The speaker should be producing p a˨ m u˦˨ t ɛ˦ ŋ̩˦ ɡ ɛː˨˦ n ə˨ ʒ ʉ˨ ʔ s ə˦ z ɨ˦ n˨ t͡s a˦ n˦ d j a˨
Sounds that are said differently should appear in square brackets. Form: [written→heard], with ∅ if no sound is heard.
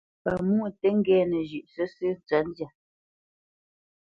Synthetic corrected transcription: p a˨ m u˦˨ t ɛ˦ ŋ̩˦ ɡ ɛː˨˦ n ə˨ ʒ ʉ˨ ʔ s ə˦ [z→s] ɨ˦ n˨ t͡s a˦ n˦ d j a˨